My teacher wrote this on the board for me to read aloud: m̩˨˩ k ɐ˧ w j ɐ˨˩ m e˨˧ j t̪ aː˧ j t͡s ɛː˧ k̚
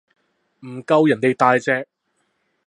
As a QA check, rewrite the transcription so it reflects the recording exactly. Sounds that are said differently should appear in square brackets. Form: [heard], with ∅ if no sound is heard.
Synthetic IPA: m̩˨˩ k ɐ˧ w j ɐ˨˩ [n] e˨˧ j t̪ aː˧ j t͡s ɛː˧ k̚